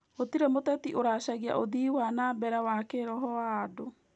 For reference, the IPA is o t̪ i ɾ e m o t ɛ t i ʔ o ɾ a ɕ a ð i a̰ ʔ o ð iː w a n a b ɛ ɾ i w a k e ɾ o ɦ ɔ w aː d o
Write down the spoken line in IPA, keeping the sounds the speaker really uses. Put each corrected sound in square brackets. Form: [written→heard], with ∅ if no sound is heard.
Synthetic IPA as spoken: o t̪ i ɾ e m o t ɛ t i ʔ o ɾ a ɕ a [ð→ɣ] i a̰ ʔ o ð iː w a n a b ɛ ɾ [i→a] w a k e ɾ [o→ɔ] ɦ ɔ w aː d o